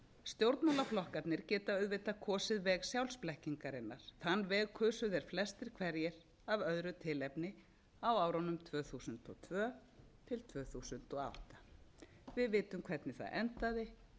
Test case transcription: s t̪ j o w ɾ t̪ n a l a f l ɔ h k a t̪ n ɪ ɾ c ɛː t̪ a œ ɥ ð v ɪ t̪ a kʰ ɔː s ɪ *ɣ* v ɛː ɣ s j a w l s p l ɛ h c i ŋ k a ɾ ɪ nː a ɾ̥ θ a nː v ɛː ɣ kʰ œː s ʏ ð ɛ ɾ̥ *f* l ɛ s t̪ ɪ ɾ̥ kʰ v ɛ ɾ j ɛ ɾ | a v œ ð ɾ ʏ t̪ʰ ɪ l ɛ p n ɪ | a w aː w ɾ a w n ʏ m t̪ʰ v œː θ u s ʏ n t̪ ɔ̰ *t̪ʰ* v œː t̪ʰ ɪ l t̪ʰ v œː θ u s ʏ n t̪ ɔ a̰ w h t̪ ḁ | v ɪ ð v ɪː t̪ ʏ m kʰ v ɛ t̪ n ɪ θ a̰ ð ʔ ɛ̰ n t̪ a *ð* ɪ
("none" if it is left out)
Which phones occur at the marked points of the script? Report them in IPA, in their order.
ð, f, t̪ʰ, ð

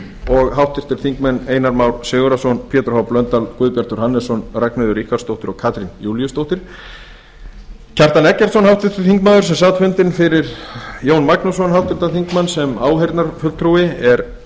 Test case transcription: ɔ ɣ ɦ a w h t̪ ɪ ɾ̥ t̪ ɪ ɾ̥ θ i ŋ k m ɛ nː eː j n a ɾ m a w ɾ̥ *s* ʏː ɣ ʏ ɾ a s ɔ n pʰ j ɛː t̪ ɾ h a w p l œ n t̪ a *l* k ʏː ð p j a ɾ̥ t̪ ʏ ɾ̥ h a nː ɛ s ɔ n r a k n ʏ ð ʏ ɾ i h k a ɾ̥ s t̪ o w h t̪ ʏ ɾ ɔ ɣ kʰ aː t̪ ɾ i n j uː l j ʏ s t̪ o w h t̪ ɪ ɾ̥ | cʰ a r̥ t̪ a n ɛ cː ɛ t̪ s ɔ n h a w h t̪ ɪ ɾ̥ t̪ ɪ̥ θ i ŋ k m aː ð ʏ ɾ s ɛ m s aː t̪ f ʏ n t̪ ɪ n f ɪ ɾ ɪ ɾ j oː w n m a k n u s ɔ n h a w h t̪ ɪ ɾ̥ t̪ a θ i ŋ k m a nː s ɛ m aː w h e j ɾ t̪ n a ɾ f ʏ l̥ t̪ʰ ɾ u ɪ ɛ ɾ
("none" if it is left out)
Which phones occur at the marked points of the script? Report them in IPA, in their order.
s, l

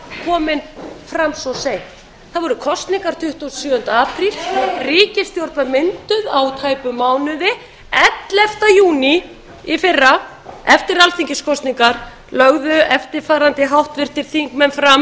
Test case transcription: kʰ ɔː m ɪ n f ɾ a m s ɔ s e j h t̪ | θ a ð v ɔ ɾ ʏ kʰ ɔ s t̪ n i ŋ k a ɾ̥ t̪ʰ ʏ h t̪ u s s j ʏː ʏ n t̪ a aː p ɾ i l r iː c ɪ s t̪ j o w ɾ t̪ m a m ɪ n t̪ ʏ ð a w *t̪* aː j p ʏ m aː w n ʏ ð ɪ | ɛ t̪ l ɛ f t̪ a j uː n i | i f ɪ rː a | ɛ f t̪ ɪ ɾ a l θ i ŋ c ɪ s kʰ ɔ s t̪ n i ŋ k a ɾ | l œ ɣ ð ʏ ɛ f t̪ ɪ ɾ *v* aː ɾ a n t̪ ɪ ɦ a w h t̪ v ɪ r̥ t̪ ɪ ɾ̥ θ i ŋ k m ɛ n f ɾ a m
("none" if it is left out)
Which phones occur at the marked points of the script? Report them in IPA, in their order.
t̪ʰ, f

